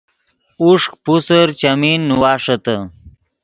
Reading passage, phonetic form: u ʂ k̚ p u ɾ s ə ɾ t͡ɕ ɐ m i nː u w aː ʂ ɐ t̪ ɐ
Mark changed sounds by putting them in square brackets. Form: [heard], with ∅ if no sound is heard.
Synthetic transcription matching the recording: u ʂ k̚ p u [∅] s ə ɾ t͡ɕ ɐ m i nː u w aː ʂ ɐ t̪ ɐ